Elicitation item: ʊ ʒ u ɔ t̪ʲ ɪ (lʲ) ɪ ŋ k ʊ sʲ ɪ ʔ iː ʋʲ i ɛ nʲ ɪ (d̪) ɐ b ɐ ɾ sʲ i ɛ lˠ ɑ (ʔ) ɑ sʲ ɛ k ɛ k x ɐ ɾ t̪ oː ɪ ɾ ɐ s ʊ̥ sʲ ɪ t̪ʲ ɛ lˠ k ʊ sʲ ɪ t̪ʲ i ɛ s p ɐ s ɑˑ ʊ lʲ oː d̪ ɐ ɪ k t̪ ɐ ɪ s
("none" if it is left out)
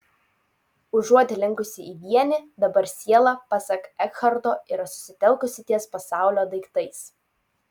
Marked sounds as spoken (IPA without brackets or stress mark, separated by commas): lʲ, d̪, p